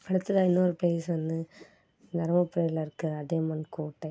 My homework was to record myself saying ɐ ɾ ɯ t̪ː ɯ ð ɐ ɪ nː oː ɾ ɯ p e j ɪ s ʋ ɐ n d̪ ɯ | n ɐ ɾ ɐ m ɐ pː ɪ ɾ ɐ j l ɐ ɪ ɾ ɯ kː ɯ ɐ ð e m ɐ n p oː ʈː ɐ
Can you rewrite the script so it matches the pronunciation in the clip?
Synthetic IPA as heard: ɐ ɽ ɯ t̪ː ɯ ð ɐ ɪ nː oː ɾ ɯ p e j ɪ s ʋ ɐ n d̪ ɯ | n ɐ ɾ ɐ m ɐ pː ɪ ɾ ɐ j l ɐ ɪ ɾ ɯ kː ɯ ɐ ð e m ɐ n k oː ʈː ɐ